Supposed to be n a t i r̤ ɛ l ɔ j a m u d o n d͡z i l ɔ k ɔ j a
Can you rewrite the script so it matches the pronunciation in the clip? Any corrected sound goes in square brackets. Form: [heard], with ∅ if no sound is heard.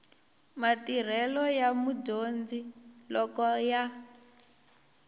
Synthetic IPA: [m] a t i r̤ ɛ l ɔ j a m u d o n d͡z i l ɔ k ɔ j a